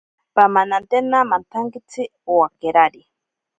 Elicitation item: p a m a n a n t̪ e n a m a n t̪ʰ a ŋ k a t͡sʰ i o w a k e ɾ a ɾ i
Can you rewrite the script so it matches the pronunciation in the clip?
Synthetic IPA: p a m a n a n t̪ e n a m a n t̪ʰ a ŋ k i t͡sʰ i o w a k e ɾ a ɾ i